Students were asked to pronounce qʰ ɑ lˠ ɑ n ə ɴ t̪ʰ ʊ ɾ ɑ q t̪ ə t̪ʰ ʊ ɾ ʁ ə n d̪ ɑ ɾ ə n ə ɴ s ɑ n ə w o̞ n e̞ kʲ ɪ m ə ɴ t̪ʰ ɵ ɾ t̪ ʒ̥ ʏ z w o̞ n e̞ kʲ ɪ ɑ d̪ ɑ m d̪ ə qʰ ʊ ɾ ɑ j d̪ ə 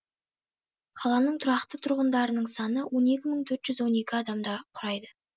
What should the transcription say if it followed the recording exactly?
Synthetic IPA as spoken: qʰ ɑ lˠ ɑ n ə ɴ t̪ʰ ʊ ɾ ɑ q t̪ ə t̪ʰ ʊ ɾ ʁ ə n d̪ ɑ ɾ ə n ə ɴ s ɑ n ə w o̞ n e̞ kʲ ɪ m ə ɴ t̪ʰ ɵ ɾ t̪ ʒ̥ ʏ z w o̞ n e̞ kʲ ɪ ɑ d̪ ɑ m d̪ ɑ qʰ ʊ ɾ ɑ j d̪ ə